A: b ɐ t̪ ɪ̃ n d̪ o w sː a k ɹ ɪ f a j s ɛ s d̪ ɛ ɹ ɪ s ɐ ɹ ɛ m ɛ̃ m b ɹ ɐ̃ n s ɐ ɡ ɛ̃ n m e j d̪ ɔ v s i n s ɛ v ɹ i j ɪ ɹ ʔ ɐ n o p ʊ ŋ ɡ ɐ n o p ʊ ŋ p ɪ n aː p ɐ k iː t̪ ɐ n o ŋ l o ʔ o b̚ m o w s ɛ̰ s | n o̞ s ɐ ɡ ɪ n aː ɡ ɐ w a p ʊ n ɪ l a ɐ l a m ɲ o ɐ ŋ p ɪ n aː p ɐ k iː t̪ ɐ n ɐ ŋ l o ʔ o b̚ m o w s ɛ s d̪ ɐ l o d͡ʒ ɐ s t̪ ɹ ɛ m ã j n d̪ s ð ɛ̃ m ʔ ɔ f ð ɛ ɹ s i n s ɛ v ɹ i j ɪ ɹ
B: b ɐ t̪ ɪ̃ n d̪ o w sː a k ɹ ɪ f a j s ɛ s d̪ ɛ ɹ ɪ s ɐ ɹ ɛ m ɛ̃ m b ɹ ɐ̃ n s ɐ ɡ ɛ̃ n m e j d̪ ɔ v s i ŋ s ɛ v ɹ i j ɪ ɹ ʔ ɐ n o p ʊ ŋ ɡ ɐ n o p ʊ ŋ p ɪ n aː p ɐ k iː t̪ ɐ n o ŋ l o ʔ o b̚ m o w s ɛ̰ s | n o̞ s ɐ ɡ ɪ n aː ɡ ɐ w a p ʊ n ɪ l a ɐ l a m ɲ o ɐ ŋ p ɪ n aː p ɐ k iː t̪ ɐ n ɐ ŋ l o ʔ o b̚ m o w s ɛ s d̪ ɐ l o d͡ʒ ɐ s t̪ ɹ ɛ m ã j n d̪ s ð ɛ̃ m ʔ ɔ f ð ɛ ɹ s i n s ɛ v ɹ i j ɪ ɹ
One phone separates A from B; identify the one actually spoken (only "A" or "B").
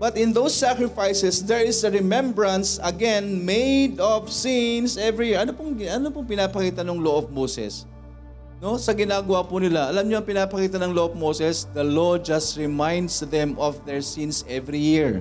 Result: A